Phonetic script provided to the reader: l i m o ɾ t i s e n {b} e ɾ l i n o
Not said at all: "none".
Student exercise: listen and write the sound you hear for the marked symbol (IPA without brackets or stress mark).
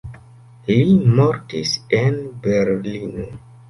b